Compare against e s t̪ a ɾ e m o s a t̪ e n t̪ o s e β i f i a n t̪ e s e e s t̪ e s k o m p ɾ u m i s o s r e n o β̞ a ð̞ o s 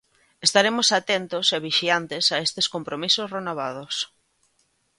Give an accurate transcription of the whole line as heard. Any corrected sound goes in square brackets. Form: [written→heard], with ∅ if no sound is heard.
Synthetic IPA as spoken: e s t̪ a ɾ e m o s a t̪ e n t̪ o s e β i [f→ʃ] i a n t̪ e s [e→a] e s t̪ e s k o m p ɾ [u→o] m i s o s r e n o β̞ a ð̞ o s